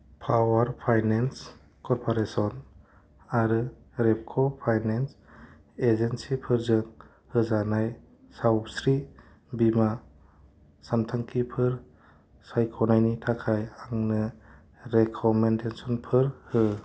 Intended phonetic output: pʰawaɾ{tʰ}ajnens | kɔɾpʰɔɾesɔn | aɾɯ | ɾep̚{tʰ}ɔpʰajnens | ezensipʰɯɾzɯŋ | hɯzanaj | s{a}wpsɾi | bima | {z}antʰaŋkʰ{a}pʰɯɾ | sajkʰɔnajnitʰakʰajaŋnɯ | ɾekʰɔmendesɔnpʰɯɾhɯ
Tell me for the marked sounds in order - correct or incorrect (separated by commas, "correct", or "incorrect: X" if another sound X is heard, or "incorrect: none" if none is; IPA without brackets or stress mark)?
incorrect: pʰ, incorrect: kʰ, correct, incorrect: s, incorrect: i